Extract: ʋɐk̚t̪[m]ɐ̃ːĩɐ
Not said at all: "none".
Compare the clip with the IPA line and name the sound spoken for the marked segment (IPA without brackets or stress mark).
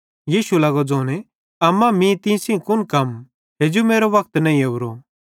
n